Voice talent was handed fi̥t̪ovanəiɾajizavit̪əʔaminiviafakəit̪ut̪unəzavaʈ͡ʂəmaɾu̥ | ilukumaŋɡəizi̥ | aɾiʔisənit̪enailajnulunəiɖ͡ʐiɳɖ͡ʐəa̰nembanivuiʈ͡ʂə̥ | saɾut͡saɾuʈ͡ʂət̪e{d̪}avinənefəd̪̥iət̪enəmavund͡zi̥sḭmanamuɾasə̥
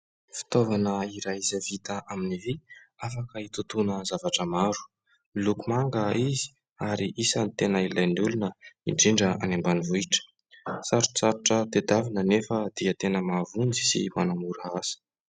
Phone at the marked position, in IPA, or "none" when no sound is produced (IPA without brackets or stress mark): d̪